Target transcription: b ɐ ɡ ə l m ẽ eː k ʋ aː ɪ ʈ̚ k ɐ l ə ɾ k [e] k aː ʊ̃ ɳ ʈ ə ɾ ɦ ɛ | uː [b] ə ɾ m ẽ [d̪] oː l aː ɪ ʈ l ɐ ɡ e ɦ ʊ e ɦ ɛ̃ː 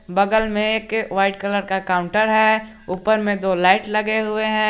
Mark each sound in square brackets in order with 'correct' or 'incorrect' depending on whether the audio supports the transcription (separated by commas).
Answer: incorrect, incorrect, correct